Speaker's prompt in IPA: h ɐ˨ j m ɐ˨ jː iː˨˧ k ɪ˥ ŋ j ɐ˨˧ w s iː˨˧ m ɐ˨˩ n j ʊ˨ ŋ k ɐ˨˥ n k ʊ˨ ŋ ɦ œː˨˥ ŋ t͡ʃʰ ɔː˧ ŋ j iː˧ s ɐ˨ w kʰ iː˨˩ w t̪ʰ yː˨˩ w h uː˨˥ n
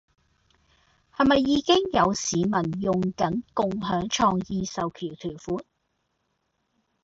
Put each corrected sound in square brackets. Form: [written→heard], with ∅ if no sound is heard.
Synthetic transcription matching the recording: h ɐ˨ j m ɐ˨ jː iː˨˧ k ɪ˥ ŋ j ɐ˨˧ w s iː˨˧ m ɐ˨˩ n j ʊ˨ ŋ k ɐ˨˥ n k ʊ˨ ŋ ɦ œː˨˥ ŋ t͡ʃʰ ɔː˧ ŋ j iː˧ s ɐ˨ w kʰ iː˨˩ w t̪ʰ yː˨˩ w [h→f] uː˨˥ n